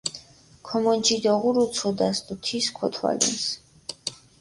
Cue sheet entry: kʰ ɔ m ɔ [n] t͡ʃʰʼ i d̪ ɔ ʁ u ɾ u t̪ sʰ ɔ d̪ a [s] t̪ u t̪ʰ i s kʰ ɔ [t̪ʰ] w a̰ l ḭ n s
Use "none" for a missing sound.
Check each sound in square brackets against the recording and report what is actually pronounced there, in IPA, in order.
n, s, t̪ʰ

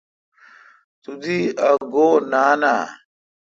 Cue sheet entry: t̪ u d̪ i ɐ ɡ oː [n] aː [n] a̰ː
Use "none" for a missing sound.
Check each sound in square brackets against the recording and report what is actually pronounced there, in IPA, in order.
n, n

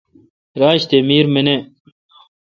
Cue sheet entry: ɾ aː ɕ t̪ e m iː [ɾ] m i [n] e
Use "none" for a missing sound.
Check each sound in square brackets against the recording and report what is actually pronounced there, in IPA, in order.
ɾ, n

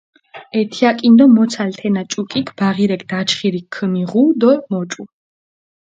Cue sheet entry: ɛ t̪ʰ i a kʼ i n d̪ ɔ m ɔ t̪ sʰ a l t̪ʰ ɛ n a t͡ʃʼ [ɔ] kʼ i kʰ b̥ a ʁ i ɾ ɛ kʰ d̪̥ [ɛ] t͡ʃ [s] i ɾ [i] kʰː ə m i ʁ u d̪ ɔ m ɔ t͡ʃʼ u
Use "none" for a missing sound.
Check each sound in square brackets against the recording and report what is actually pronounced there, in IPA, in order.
u, a, χ, i

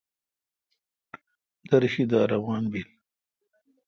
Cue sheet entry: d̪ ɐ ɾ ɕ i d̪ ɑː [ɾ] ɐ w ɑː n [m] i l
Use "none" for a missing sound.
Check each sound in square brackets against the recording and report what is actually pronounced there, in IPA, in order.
ɾ, b

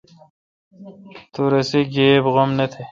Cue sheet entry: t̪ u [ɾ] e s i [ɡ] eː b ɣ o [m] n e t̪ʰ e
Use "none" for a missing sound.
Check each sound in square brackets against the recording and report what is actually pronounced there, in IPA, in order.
ɾ, ɡ, m

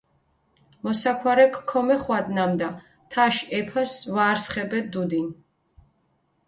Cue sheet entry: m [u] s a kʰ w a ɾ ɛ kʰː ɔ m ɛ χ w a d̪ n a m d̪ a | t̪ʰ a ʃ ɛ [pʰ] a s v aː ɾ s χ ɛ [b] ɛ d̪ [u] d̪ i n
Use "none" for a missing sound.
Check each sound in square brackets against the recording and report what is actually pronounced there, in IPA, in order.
ɔ, pʰ, b, u

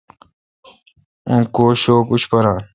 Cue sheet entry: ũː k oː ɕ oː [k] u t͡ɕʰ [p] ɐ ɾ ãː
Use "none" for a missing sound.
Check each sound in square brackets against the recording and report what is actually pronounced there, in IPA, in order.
k, p

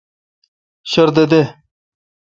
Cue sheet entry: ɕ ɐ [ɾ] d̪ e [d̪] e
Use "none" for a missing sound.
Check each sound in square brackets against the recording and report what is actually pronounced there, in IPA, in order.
ɾ, d̪

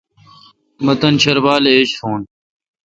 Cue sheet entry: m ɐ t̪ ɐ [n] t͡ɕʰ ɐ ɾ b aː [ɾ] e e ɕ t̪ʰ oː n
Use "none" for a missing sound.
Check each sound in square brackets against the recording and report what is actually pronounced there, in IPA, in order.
n, l

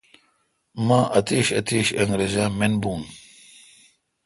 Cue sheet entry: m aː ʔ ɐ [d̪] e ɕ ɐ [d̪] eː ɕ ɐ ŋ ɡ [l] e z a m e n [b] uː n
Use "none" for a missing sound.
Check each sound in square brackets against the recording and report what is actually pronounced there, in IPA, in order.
t̪, t̪, ɾ, b

